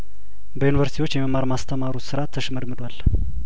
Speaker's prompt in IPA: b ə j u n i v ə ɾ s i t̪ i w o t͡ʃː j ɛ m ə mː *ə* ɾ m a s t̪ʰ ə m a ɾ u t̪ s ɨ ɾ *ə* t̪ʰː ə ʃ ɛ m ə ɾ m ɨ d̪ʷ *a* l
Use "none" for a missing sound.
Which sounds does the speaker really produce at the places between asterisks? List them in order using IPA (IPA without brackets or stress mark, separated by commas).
a, a, a